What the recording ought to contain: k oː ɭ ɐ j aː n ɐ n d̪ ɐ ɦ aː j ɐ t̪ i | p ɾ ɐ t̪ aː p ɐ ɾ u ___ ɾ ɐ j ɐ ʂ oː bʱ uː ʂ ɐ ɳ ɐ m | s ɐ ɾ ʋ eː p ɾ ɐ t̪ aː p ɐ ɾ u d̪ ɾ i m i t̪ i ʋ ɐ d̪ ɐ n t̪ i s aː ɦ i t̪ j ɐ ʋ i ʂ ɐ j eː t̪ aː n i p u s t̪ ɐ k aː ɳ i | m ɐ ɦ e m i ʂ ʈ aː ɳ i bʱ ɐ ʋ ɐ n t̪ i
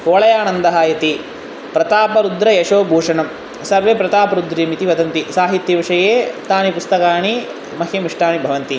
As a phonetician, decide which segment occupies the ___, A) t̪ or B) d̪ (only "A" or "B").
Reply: B